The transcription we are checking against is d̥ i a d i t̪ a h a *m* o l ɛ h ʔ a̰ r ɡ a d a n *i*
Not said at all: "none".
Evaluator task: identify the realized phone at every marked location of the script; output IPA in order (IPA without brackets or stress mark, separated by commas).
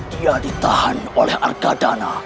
n, a